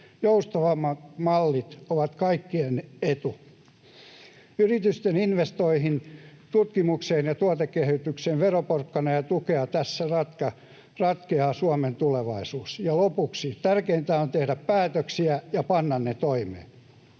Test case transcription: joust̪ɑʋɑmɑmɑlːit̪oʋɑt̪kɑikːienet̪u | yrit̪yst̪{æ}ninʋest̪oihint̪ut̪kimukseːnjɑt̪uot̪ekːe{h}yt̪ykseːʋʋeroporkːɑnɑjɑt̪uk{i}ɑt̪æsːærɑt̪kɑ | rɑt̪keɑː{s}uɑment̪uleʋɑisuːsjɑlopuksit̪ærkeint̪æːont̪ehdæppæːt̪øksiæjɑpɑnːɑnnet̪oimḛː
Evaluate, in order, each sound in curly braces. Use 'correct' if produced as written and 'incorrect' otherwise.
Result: incorrect, correct, incorrect, correct

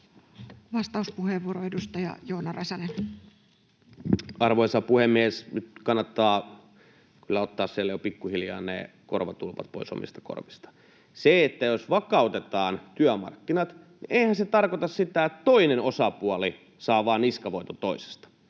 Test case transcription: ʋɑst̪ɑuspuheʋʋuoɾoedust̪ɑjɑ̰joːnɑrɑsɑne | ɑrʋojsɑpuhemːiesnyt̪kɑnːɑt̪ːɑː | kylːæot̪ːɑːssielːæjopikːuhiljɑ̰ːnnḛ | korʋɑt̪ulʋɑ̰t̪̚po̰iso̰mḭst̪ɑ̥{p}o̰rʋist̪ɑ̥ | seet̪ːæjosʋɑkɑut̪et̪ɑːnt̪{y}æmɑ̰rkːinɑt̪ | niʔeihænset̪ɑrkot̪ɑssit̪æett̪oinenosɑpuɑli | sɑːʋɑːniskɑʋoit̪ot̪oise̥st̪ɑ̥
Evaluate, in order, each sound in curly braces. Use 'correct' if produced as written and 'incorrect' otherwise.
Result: incorrect, correct

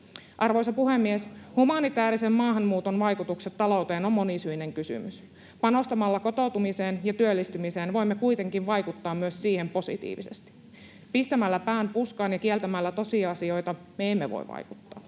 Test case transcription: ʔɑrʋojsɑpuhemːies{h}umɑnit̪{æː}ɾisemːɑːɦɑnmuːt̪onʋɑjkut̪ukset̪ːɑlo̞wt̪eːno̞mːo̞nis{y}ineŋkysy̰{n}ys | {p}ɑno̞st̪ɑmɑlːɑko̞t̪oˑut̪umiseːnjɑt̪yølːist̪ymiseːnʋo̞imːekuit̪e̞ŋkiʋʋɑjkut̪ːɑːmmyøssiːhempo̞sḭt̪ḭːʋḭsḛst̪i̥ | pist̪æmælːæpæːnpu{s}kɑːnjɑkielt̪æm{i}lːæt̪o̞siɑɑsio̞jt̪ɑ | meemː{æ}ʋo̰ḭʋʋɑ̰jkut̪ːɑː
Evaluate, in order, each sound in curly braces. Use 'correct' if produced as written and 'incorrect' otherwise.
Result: correct, correct, correct, incorrect, correct, correct, incorrect, incorrect

